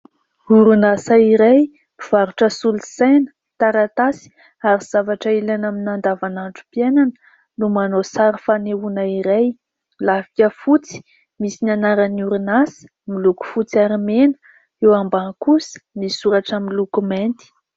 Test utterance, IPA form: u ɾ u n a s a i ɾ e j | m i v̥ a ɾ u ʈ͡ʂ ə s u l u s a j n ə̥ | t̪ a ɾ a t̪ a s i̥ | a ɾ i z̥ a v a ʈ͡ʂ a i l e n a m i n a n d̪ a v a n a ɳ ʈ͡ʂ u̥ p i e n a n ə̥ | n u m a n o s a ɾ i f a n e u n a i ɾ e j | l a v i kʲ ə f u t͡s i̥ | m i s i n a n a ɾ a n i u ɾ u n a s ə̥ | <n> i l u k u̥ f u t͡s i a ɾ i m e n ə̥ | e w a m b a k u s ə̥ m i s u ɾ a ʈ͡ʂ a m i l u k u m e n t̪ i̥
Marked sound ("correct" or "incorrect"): incorrect